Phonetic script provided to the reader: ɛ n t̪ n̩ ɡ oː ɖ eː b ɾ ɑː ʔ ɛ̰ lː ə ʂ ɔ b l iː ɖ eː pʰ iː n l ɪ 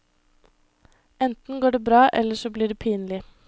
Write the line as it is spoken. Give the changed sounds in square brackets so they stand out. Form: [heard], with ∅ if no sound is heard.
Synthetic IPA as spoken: ɛ n t̪ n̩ ɡ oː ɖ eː b ɾ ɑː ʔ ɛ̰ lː ə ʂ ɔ b l iː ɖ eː pʰ iː n l ɪ